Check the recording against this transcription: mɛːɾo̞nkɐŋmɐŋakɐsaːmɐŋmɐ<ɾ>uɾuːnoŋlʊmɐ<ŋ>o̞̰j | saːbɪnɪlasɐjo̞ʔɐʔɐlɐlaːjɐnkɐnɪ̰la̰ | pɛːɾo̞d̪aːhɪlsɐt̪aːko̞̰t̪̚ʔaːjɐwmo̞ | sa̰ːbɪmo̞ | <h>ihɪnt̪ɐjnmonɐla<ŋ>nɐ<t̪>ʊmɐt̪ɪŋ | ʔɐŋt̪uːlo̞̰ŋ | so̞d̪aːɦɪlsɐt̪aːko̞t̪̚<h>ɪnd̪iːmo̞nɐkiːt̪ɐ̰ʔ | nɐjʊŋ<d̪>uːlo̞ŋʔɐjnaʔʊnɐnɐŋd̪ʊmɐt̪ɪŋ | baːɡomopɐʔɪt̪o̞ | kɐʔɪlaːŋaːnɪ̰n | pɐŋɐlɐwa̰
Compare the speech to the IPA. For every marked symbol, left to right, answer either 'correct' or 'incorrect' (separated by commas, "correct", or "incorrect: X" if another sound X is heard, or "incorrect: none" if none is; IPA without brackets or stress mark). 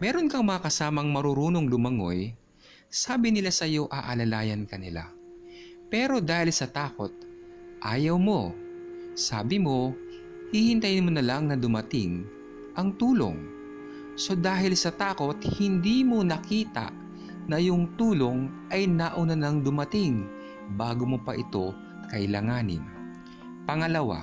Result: correct, correct, correct, correct, incorrect: d̪, correct, incorrect: t̪